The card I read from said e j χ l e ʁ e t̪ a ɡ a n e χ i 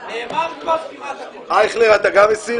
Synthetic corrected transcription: a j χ l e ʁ a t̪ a ɡ a m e s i